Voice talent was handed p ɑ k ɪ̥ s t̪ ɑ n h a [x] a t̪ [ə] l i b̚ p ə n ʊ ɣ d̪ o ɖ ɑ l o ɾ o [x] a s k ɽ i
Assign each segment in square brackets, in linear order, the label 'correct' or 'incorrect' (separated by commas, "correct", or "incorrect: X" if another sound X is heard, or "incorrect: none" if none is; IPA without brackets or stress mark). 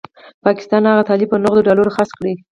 incorrect: ɣ, incorrect: ɑ, correct